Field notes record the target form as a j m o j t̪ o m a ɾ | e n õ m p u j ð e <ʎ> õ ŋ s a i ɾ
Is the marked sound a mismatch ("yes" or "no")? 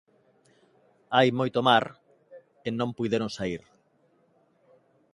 yes